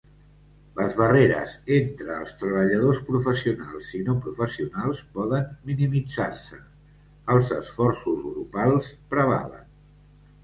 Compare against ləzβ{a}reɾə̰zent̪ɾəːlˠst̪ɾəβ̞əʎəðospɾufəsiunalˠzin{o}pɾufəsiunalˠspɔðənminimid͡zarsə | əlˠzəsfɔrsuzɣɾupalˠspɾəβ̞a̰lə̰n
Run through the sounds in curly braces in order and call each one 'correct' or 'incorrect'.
incorrect: ə, correct

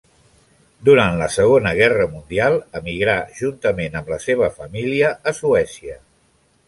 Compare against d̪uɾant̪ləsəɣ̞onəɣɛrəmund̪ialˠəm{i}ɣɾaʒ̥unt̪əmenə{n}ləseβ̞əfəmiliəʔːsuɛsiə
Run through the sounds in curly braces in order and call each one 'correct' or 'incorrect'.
correct, incorrect: m

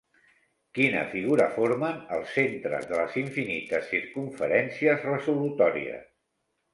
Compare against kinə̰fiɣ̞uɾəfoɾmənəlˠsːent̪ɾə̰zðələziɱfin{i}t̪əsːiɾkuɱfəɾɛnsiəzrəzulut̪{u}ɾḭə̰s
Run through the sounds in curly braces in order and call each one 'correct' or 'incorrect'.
correct, incorrect: ɔ

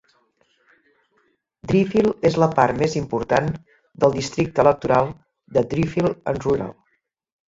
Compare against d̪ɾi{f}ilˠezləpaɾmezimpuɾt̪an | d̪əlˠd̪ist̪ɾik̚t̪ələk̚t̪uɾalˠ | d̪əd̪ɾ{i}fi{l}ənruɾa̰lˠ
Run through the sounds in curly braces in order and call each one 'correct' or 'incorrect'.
correct, correct, correct

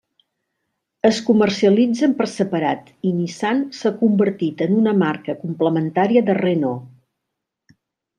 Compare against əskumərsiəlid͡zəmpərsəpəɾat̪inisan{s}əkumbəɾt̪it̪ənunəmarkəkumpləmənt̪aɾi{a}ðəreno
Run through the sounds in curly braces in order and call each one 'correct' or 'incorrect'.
correct, incorrect: ə

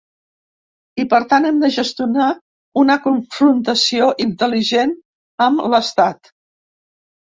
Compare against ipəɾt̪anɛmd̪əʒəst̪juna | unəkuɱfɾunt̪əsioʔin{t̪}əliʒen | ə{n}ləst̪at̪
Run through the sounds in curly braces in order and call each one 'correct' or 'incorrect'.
correct, incorrect: m

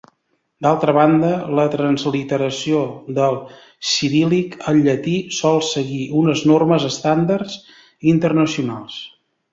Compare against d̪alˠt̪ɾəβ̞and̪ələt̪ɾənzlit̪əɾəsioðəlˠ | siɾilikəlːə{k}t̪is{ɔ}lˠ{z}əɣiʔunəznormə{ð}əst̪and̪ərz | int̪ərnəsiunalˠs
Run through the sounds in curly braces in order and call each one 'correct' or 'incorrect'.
incorrect: none, correct, incorrect: s, incorrect: z

